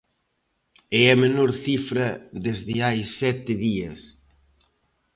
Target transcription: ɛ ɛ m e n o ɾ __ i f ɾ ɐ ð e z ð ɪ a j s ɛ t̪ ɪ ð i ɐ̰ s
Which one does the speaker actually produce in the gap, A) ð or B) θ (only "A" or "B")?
B